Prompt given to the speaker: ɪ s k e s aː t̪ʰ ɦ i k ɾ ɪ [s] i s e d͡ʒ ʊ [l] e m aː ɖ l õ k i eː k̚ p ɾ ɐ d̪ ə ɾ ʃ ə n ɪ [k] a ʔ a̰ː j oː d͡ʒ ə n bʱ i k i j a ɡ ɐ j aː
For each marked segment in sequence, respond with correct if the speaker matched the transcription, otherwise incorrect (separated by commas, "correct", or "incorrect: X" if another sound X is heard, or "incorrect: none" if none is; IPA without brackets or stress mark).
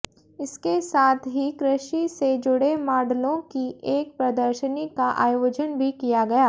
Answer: incorrect: ʃ, incorrect: ɽ, correct